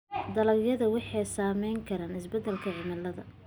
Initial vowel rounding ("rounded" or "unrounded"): unrounded